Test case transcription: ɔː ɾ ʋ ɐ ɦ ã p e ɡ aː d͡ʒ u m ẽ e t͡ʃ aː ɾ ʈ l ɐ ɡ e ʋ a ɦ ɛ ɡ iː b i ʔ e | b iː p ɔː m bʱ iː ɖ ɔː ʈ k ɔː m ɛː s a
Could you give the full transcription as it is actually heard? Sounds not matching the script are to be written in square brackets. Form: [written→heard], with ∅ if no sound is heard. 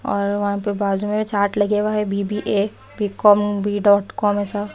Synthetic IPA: ɔː ɾ ʋ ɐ ɦ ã p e [ɡ→b] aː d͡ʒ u m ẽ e t͡ʃ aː ɾ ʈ l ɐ ɡ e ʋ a ɦ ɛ [ɡ→b] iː b i ʔ e | b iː [p→k] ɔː m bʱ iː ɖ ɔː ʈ k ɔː m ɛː s a